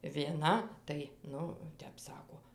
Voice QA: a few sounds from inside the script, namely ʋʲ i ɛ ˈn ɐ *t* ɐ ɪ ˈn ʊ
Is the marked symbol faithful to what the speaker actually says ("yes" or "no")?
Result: yes